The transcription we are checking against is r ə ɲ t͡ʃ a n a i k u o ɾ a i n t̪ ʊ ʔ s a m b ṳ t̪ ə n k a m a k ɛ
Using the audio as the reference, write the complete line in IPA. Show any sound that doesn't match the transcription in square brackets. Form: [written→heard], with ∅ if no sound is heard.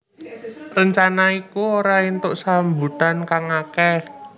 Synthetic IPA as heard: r ə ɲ t͡ʃ a n a i k u o ɾ a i n t̪ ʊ ʔ s a m b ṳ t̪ [ə→a] n k a [m→ŋ] a k ɛ